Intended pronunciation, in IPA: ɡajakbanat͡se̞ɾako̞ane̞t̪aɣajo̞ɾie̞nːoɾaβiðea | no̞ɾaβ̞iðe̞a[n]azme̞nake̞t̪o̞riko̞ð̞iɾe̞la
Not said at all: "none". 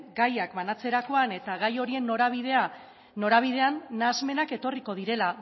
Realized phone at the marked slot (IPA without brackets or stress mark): nː